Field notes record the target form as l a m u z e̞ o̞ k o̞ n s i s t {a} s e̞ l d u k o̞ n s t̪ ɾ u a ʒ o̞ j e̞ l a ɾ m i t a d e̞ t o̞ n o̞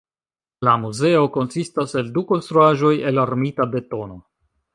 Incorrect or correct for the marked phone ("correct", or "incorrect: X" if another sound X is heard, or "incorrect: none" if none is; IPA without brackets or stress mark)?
correct